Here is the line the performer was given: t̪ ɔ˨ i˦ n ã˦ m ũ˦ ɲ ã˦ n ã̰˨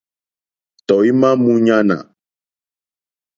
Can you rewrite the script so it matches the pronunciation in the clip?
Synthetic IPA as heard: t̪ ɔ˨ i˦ m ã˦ m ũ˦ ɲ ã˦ n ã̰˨